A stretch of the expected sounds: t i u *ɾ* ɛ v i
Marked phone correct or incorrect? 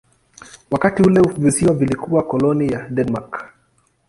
incorrect